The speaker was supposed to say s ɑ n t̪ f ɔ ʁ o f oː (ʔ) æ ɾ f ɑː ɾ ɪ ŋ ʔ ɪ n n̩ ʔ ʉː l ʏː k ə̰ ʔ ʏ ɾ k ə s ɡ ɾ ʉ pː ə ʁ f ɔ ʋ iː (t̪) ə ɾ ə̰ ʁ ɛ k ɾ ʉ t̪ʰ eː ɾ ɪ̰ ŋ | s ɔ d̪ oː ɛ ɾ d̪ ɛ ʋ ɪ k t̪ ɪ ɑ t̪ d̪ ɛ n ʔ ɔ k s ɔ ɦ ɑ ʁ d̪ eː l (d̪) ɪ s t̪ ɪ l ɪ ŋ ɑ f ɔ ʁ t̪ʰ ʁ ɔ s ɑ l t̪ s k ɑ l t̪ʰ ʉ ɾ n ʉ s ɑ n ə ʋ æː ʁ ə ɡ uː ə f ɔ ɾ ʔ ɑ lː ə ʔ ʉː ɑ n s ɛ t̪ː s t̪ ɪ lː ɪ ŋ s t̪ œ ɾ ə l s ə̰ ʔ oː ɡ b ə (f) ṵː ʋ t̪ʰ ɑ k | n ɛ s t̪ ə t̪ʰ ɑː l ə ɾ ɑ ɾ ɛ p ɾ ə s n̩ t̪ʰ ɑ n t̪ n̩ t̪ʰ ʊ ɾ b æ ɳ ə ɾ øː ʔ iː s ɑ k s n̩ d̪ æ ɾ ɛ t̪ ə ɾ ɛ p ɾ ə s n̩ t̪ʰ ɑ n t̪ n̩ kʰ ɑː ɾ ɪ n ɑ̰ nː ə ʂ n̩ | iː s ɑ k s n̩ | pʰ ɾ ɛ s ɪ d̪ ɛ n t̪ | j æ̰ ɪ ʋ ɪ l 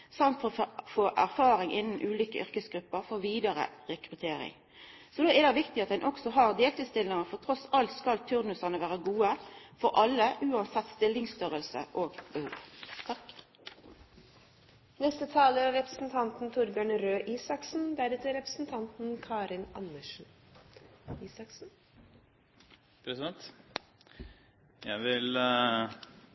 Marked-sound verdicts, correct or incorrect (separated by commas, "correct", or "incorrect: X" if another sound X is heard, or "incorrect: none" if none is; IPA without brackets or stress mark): correct, incorrect: d̪, incorrect: t̪, incorrect: h